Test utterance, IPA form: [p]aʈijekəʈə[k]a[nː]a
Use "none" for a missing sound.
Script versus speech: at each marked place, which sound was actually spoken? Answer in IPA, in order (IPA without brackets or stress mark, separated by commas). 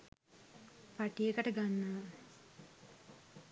p, ɡ, nː